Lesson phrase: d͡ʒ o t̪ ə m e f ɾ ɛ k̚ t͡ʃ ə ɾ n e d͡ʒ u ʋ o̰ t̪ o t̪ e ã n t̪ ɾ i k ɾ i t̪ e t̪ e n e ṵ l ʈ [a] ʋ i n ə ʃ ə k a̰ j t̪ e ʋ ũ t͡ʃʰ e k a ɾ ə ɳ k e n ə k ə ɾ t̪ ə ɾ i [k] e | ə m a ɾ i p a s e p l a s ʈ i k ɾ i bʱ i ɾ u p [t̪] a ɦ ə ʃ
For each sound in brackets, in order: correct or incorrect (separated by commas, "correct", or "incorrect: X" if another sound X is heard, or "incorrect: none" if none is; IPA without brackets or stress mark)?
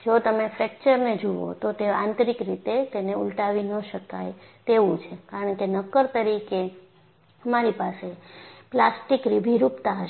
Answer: correct, correct, correct